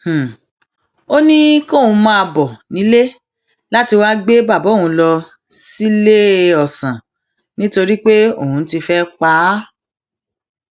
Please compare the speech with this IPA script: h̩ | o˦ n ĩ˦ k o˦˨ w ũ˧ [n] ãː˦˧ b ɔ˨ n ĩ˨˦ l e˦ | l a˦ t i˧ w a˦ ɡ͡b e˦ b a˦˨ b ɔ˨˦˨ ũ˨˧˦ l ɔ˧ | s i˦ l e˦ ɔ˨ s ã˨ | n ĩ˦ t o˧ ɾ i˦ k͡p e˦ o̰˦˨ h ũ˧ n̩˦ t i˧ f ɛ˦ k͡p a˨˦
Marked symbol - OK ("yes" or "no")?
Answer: no